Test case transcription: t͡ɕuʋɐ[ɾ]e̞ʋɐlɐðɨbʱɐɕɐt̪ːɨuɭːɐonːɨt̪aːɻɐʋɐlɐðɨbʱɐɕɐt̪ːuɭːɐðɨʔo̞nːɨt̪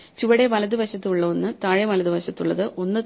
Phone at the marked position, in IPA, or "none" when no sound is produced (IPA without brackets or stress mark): ɽ